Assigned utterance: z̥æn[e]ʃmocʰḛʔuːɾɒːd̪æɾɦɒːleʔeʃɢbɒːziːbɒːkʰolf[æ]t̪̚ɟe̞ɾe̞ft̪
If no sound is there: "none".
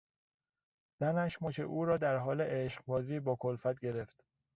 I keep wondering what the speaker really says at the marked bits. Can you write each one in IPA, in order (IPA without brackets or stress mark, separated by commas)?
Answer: æ, æ